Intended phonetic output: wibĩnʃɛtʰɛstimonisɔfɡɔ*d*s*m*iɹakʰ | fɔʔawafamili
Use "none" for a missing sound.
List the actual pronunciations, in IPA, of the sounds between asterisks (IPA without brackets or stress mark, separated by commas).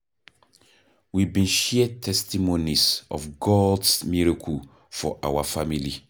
d, m